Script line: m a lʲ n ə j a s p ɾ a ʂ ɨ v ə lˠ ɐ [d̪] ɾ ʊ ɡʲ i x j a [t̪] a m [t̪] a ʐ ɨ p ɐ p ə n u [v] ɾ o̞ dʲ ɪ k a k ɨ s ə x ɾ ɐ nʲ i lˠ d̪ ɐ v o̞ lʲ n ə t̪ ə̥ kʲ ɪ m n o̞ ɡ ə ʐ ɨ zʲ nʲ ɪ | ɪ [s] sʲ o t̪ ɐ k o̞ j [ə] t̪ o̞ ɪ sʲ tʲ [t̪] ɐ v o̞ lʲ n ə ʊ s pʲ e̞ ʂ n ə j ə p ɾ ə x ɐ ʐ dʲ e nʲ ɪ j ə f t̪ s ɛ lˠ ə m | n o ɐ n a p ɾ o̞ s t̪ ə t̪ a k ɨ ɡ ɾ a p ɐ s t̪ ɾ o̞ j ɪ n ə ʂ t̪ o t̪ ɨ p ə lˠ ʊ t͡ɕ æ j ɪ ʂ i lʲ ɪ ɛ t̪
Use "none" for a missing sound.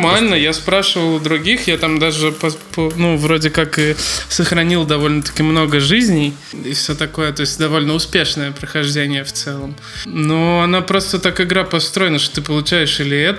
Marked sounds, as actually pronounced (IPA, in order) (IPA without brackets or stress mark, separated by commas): d̪, t̪, d̪, v, f, ə, d̪